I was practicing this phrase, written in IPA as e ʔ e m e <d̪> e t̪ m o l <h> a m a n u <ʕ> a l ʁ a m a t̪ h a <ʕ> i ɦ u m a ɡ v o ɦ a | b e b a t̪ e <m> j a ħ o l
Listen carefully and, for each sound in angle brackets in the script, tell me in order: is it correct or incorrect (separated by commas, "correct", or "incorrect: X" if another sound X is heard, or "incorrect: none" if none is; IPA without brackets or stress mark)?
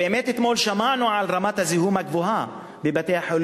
incorrect: t̪, incorrect: ʃ, correct, incorrect: z, incorrect: none